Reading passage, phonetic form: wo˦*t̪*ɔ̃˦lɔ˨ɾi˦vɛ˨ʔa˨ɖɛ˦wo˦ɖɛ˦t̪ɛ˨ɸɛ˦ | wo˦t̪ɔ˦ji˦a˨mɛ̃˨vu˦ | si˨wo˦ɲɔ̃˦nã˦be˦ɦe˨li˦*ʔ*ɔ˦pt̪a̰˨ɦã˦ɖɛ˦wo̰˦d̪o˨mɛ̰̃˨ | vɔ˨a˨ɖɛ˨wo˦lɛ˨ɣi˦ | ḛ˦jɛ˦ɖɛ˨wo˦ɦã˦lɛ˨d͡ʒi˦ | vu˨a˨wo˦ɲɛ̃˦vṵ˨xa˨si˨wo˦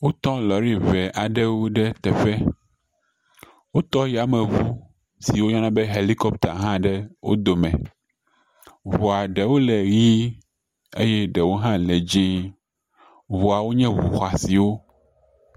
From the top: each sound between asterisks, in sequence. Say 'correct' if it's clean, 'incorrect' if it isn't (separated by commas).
correct, incorrect